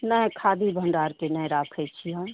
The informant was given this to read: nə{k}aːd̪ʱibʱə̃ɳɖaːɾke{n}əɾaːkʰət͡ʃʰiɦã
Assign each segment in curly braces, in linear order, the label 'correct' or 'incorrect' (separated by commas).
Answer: incorrect, correct